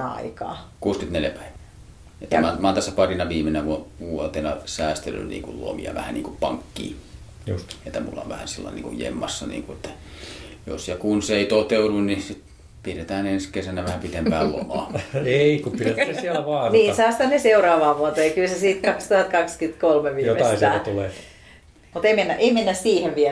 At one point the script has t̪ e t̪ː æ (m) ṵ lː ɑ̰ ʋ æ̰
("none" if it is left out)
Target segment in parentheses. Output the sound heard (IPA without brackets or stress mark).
m